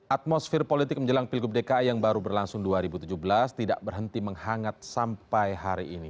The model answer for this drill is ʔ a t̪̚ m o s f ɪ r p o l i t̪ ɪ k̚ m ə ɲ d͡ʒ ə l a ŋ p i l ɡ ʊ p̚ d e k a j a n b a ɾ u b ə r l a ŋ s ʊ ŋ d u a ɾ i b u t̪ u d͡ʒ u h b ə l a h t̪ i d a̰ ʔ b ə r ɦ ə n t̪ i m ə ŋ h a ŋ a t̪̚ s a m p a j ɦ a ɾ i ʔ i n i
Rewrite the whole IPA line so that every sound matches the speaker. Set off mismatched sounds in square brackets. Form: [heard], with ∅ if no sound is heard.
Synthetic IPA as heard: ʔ a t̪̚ m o s f ɪ r p o l i t̪ ɪ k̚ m ə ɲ d͡ʒ ə l a ŋ p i l ɡ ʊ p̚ d e k a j a [ŋ] b a ɾ u b ə r l a ŋ s ʊ ŋ d u a ɾ i b u t̪ u d͡ʒ u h b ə l a [s] t̪ i d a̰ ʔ b ə r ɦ ə n t̪ i m ə ŋ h a ŋ a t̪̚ s a m p a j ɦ a ɾ i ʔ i n i